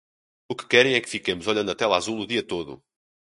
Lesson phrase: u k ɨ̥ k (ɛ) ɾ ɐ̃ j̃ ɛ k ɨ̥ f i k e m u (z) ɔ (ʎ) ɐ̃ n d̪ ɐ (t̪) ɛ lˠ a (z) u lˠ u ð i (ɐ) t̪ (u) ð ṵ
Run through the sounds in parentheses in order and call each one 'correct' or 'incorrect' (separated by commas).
correct, correct, correct, correct, correct, correct, incorrect